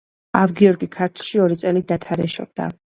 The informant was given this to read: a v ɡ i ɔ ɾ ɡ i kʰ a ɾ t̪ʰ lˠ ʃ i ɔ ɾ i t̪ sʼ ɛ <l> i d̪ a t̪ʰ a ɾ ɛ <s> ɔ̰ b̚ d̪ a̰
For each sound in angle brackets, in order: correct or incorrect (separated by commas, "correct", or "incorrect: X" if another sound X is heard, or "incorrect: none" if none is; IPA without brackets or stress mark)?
correct, incorrect: ʃ